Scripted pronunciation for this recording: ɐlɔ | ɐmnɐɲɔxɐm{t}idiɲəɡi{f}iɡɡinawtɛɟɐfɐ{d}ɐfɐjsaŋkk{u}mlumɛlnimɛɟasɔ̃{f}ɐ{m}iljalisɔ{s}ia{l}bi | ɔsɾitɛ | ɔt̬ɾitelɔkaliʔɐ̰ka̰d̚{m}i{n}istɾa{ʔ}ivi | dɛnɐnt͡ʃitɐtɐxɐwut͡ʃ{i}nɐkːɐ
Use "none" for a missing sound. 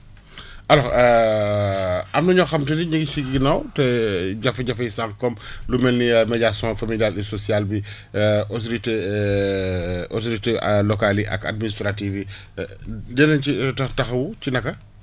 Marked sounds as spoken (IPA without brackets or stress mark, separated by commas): t, s, ɟ, ɔ, f, m, s, l, m, n, t, i